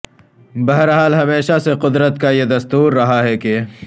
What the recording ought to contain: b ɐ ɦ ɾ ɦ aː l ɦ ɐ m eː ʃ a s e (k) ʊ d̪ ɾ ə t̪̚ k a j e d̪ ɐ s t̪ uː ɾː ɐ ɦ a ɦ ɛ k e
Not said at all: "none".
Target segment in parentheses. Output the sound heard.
q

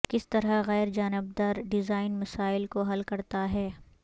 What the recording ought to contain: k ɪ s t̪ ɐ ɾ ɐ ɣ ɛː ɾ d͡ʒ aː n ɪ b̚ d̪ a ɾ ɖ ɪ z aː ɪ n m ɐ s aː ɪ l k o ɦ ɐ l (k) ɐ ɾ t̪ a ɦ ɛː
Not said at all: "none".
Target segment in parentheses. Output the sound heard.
k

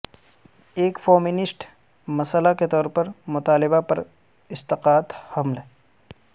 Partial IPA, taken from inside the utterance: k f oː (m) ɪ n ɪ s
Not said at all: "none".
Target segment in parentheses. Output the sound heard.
m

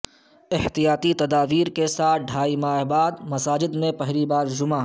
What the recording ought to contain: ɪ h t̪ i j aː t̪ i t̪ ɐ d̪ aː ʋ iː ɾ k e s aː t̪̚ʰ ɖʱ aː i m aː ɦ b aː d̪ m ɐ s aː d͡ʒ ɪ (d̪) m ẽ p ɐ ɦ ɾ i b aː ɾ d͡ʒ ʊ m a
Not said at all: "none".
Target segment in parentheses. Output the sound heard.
d̪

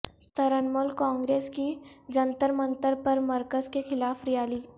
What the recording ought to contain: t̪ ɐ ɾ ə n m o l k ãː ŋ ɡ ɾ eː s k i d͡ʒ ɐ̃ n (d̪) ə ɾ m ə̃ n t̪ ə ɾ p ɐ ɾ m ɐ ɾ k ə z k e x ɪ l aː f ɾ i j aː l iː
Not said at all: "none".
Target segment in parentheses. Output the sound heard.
t̪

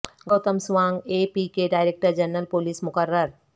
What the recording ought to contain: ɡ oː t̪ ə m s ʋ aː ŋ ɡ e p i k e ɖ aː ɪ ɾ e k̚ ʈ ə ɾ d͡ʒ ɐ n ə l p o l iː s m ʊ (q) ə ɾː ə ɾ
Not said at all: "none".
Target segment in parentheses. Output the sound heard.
k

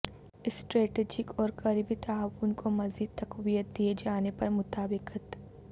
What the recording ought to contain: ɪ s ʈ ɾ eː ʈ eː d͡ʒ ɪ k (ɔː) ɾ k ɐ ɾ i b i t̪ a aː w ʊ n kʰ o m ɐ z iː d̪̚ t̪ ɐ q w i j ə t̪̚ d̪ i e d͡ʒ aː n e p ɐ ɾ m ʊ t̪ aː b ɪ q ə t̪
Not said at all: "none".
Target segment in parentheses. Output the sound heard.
ɔː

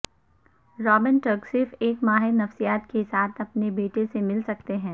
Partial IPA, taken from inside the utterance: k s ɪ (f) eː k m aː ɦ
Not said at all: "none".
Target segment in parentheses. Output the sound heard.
f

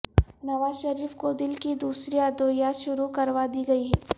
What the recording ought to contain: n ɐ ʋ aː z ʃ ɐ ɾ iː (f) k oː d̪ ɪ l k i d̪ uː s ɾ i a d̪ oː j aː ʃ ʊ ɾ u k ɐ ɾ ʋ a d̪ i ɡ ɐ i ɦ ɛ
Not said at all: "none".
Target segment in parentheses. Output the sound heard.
f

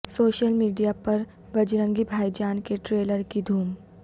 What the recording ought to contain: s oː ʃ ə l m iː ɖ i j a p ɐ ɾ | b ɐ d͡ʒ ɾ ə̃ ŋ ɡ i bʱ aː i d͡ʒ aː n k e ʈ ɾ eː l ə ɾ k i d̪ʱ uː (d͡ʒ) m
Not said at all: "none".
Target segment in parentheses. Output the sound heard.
none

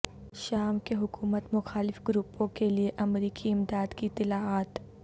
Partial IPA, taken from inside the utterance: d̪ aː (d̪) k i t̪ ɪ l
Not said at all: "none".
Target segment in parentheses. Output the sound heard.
d̪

